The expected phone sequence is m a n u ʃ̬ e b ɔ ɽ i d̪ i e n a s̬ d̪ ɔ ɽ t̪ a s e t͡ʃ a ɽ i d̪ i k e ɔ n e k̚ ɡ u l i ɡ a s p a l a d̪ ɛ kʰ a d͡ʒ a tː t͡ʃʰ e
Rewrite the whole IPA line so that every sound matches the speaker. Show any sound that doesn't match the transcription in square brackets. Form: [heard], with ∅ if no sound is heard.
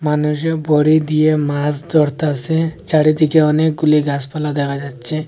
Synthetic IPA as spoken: m a n u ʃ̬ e b ɔ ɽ i d̪ i e [m] a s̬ d̪ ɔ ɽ t̪ a s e t͡ʃ a ɽ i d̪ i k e ɔ n e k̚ ɡ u l i ɡ a s p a l a d̪ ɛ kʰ a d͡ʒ a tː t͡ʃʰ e